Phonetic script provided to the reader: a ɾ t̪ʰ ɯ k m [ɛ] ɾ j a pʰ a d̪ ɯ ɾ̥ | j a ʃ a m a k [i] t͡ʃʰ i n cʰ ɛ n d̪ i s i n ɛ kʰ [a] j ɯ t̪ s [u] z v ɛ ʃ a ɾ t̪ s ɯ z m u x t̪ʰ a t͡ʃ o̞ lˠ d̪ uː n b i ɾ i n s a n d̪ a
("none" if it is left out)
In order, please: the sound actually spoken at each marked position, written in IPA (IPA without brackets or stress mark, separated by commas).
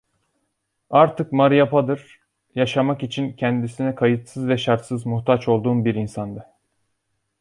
a, i, a, ɯ